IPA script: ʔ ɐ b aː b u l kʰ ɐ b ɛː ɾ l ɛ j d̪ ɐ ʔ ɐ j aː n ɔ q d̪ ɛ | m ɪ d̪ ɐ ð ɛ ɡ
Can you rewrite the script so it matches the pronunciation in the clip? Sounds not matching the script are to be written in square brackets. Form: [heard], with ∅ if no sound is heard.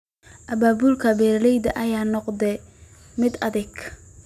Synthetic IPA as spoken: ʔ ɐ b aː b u l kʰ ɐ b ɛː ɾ l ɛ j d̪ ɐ ʔ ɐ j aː n ɔ q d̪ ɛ | m ɪ d̪ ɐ ð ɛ ɡ